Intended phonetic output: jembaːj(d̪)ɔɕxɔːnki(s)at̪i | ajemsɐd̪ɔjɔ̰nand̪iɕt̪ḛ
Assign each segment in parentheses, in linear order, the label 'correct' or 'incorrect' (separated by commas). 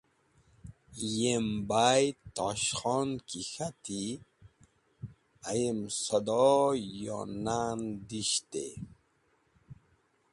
incorrect, incorrect